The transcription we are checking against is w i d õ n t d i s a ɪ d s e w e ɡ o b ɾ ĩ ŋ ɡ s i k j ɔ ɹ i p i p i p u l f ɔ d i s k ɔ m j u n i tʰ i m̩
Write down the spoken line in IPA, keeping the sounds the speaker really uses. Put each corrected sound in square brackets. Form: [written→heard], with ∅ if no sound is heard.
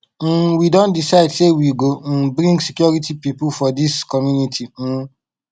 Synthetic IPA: w i d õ n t d i s a ɪ d s e w [e→i] ɡ o b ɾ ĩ ŋ ɡ s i k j ɔ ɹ i [p→t] i p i p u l f ɔ d i s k ɔ m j u n i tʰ i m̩